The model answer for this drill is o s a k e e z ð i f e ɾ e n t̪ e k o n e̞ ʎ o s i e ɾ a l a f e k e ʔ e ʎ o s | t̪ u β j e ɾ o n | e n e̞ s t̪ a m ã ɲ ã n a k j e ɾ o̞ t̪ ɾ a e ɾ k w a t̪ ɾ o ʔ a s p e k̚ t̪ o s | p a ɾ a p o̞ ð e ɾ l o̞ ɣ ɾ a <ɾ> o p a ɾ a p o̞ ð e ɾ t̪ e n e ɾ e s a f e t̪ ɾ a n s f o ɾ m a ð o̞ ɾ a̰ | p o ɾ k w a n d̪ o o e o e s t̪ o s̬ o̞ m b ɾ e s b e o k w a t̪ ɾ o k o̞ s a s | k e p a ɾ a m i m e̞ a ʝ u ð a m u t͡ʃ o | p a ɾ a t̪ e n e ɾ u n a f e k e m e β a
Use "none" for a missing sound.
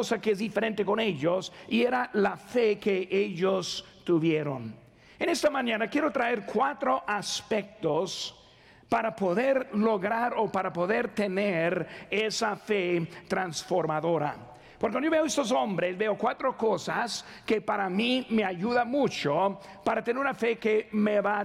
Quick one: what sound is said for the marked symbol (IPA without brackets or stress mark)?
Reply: ɾ